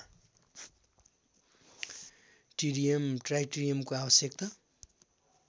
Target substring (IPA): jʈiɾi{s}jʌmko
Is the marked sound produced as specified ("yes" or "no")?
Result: no